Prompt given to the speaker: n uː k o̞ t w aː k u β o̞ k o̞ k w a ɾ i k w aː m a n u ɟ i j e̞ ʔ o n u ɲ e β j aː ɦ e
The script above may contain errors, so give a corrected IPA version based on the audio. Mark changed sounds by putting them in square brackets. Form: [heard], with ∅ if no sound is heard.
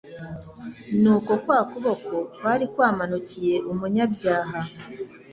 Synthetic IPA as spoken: n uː k o̞ [k] w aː k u β o̞ k o̞ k w a ɾ i k w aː m a n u [c] i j e̞ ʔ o [m] u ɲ [a] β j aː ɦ [a]